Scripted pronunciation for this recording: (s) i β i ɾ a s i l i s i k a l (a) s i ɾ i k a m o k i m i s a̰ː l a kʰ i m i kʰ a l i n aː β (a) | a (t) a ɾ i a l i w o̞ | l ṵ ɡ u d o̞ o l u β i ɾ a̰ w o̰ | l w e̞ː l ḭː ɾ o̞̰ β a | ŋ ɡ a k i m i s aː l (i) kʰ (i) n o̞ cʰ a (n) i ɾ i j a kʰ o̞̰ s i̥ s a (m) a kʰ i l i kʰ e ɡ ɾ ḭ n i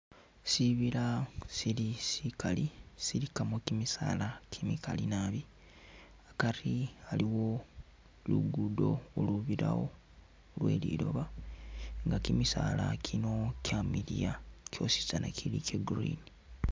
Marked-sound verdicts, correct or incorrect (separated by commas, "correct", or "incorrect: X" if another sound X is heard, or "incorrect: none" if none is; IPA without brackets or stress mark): correct, incorrect: i, incorrect: i, incorrect: k, incorrect: a, correct, incorrect: m, incorrect: n